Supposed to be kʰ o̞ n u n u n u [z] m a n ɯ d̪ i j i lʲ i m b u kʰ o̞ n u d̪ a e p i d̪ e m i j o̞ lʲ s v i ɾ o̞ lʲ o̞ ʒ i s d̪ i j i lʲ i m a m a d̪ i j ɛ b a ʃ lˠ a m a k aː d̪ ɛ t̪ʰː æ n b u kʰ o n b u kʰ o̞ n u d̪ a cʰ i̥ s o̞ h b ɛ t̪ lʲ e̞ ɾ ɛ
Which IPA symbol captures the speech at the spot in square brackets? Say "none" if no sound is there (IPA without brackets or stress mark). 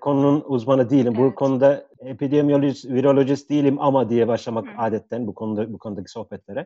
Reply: z